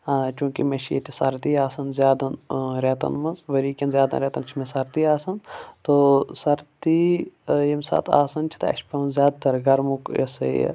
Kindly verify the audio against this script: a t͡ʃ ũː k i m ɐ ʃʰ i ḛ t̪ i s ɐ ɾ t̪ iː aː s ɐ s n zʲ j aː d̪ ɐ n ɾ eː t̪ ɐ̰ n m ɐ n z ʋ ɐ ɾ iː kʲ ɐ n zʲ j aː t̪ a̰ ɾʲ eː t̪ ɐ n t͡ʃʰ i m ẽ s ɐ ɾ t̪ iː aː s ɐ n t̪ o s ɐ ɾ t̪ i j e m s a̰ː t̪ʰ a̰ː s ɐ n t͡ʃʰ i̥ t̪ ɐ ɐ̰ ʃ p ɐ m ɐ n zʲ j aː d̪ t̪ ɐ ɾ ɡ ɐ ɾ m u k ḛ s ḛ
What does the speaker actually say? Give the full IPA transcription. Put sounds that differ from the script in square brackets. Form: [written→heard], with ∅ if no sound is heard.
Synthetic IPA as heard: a t͡ʃ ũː k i m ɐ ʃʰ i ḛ t̪ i s ɐ ɾ t̪ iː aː s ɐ [s→∅] n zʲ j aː d̪ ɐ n ɾ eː t̪ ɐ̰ n m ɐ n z ʋ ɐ ɾ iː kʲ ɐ n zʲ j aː [t̪→d̪] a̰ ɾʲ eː t̪ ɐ n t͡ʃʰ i m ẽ s ɐ ɾ t̪ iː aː s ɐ n t̪ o s ɐ ɾ t̪ i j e m s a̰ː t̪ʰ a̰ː s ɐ n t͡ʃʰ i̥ t̪ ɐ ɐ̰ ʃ p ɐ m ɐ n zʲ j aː d̪ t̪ ɐ ɾ ɡ ɐ ɾ m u k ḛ s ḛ